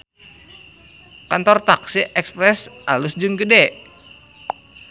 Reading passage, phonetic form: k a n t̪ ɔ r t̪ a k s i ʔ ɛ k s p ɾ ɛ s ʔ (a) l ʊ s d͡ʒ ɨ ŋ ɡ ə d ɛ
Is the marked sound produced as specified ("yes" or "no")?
yes